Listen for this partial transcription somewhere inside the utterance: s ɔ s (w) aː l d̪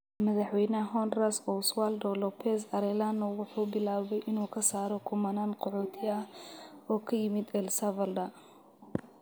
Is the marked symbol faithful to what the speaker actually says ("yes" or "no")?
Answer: yes